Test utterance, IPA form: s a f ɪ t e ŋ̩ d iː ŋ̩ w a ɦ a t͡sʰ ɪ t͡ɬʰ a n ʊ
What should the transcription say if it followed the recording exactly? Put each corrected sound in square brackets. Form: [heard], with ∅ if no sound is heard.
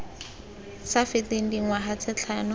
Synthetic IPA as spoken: s a f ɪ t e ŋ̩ d [i] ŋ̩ w a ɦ a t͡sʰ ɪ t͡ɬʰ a n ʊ